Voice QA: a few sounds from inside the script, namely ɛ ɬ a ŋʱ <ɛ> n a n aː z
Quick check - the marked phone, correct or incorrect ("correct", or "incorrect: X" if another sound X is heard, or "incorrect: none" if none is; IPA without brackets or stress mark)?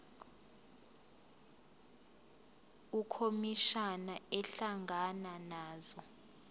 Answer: incorrect: a